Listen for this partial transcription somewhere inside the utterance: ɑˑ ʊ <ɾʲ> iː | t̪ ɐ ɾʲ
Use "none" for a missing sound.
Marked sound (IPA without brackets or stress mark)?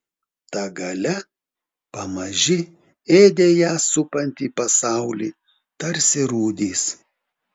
lʲ